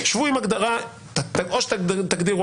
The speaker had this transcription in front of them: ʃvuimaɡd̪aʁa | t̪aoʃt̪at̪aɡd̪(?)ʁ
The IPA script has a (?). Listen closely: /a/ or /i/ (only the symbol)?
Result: i